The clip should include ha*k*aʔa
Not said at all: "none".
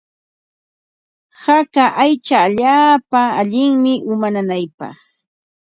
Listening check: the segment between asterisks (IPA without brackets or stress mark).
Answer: k